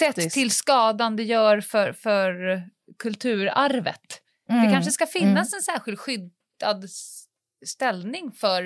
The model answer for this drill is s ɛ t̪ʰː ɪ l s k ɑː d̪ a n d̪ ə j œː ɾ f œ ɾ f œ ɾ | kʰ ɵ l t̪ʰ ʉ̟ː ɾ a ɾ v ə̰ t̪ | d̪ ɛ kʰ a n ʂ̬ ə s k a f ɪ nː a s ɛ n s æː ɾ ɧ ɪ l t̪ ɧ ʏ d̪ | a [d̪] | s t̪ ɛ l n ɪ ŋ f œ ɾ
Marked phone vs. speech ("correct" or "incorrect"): correct